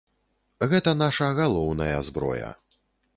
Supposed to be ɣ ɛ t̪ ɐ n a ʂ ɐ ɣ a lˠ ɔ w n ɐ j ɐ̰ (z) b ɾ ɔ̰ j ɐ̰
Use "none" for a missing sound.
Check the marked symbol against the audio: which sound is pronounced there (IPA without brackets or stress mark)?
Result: z